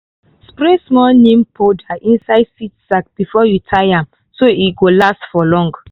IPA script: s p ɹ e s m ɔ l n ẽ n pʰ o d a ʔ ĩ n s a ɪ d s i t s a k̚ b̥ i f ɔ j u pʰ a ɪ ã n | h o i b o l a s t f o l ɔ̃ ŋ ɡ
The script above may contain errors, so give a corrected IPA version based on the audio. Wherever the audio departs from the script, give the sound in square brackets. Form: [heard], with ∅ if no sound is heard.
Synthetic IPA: s p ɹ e s m ɔ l n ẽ [m] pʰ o d a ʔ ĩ n s a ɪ d s i t s a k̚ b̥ i f ɔ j u [tʰ] a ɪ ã [m] | [s] o i [ɡ] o l a s t f [ɔ] l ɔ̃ ŋ ɡ